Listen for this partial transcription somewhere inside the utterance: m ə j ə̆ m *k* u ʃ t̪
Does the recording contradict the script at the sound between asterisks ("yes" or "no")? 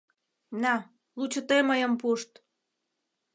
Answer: yes